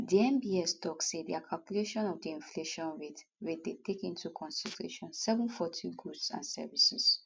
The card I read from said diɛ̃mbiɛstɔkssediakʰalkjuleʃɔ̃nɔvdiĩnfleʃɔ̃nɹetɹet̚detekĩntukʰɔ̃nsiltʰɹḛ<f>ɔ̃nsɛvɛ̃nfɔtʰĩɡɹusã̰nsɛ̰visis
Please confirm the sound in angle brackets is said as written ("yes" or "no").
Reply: no